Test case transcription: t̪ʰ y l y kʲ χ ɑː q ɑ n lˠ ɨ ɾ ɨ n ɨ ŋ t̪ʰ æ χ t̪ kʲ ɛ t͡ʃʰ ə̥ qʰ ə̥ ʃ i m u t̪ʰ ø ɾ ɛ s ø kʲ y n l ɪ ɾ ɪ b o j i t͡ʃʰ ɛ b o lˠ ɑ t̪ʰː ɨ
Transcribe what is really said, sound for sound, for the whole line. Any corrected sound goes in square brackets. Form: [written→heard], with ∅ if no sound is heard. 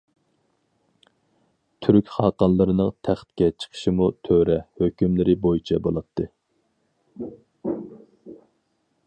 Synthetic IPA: t̪ʰ y [l→ɾ] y kʲ χ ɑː q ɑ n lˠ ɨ ɾ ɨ n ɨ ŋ t̪ʰ æ χ t̪ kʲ ɛ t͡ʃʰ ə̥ qʰ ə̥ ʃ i m u t̪ʰ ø ɾ ɛ [s→h] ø kʲ y [n→m] l ɪ ɾ ɪ b o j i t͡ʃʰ ɛ b o lˠ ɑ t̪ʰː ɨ